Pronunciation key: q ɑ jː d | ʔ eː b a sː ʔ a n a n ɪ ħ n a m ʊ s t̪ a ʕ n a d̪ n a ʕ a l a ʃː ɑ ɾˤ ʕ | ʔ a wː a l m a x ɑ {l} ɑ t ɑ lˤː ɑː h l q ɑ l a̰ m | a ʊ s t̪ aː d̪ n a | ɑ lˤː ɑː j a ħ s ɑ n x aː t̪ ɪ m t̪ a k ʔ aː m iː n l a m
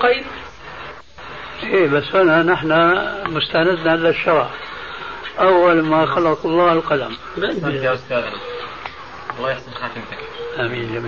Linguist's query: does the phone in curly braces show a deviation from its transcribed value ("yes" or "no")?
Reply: no